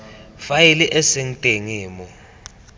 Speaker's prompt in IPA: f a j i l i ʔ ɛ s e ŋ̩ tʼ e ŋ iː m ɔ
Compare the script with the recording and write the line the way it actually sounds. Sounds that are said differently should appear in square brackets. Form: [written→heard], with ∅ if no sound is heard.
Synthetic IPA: f a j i l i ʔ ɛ s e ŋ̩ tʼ e ŋ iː m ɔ